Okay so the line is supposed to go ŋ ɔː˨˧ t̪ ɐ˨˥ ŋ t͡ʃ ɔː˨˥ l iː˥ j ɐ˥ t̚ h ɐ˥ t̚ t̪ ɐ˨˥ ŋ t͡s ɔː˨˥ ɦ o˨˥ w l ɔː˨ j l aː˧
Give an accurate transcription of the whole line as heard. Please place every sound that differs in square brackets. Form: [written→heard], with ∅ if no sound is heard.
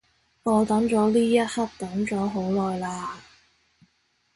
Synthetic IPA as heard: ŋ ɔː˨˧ t̪ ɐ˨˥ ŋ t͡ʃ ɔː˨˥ l iː˥ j ɐ˥ t̚ h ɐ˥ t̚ t̪ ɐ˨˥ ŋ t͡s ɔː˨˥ ɦ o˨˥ w l ɔː˨ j l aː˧